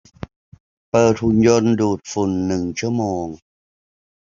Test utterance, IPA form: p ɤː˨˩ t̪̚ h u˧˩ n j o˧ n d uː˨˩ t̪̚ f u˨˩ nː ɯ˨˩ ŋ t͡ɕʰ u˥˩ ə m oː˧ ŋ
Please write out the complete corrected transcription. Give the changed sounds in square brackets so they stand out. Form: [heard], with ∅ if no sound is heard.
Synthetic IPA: p ɤː˨˩ t̪̚ h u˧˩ n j o˧ n d uː˨˩ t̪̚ f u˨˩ nː ɯ˨˩ ŋ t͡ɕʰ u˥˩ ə m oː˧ ŋ